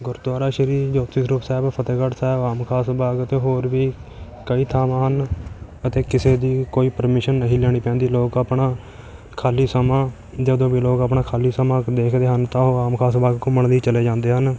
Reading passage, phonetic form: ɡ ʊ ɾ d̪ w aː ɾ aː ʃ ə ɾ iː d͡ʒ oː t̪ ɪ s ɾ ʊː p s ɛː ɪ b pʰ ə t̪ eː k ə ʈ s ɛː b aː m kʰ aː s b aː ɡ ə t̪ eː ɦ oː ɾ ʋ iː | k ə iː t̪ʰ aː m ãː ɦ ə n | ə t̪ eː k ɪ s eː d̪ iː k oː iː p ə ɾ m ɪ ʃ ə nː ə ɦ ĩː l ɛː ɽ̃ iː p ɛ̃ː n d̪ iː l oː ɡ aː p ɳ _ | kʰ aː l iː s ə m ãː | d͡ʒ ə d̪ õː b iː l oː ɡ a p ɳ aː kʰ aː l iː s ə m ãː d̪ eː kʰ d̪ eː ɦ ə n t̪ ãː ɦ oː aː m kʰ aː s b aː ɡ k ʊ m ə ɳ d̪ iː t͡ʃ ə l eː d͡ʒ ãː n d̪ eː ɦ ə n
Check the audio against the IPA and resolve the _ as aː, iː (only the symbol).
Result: aː